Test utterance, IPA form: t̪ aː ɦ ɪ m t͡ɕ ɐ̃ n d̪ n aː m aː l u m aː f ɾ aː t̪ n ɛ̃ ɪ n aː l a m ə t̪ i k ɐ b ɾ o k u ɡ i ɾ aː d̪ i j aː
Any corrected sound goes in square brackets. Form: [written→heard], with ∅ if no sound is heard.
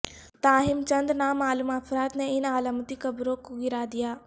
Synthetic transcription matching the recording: t̪ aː ɦ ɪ m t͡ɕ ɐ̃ n d̪ n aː m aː l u m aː f ɾ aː t̪ n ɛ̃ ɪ n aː l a m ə t̪ i k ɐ b ɾ o k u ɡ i ɾ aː d̪ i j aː

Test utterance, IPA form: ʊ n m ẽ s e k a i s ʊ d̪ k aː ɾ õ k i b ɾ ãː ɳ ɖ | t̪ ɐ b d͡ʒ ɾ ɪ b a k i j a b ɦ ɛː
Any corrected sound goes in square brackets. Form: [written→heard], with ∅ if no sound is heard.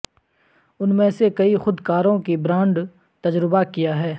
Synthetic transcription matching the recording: ʊ n m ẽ s e k [a→ɐ] i [s→x] ʊ d̪ k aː ɾ õ k i b ɾ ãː ɳ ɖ | t̪ ɐ [b→∅] d͡ʒ ɾ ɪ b a k i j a [b→∅] ɦ ɛː

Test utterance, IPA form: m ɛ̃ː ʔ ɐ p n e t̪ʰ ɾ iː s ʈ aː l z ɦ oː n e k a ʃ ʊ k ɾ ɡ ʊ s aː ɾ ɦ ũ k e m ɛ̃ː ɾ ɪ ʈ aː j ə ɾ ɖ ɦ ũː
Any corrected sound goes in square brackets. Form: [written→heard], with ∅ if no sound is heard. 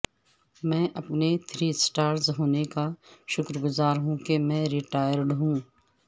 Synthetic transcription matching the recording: m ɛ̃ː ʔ ɐ p n e t̪ʰ ɾ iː s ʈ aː [l→ɾ] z ɦ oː n e k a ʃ ʊ k ɾ ɡ ʊ [s→z] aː ɾ ɦ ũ k e m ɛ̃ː ɾ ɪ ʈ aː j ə ɾ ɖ ɦ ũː

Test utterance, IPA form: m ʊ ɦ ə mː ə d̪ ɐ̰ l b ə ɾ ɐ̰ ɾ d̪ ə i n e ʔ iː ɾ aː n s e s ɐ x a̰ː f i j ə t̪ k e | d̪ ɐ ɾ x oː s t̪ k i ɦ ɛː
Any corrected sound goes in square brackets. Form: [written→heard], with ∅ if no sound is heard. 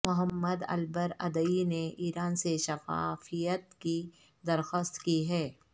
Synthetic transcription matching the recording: m ʊ ɦ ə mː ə d̪ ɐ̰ l b ə ɾ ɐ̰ [ɾ→∅] d̪ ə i n e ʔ iː ɾ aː n s e [s→ʃ] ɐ [x→f] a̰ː f i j ə t̪ k [e→i] | d̪ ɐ ɾ x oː s t̪ k i ɦ ɛː

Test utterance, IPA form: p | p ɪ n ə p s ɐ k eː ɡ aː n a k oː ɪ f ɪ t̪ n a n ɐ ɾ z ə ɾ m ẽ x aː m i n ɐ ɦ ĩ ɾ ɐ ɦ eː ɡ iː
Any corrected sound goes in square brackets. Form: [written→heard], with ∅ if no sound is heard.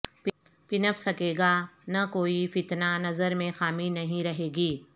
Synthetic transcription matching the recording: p | p ɪ n ə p s ɐ k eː ɡ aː n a k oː [ɪ→i] f ɪ t̪ n a n ɐ [ɾ→∅] z ə ɾ m ẽ x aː m i n ɐ ɦ ĩ ɾ ɐ ɦ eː ɡ iː

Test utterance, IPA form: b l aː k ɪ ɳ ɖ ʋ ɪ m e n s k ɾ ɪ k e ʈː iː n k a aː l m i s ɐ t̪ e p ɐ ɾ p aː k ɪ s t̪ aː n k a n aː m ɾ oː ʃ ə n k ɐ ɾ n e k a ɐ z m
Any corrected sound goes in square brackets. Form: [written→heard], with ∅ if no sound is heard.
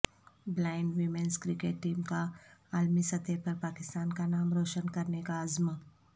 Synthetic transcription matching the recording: b l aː [k→∅] ɪ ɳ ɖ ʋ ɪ m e n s k ɾ ɪ k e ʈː iː [n→m] k a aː l m i s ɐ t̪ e p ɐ ɾ p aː k ɪ s t̪ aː n k a n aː m ɾ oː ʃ ə n k ɐ ɾ n e k a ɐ z m

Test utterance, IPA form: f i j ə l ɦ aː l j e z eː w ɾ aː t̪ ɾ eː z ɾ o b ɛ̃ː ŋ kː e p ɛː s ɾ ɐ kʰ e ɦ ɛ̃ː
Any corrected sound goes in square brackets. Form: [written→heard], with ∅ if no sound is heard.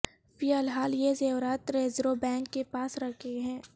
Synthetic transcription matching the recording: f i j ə l ɦ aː l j e z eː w ɾ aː t̪ ɾ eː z ɾ o b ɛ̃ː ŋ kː e p [ɛː→aː] s ɾ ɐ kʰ e ɦ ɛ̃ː

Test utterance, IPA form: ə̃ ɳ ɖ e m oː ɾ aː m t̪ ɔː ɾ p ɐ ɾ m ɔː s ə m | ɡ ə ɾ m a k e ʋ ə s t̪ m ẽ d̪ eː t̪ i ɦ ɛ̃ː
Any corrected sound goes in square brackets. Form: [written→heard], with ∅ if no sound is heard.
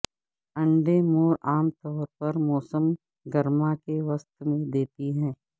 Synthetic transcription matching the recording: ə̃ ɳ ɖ e m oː ɾ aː m t̪ ɔː ɾ p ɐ ɾ m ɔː s ə m | ɡ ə ɾ m a k e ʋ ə s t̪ m ẽ d̪ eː t̪ i ɦ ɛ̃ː

